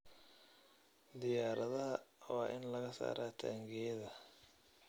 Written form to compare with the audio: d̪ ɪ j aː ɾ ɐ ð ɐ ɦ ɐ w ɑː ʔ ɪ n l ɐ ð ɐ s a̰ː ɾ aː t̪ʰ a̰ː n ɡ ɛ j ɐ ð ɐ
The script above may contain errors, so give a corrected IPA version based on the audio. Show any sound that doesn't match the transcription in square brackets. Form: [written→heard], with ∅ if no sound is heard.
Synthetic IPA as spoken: d̪ ɪ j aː ɾ ɐ ð ɐ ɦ ɐ w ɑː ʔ ɪ n l ɐ [ð→ɣ] ɐ s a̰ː ɾ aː t̪ʰ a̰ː [n→ŋ] ɡ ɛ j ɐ ð ɐ